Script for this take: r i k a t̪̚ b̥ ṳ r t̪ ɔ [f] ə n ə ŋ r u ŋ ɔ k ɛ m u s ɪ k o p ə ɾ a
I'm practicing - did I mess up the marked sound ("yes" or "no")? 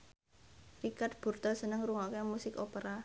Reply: yes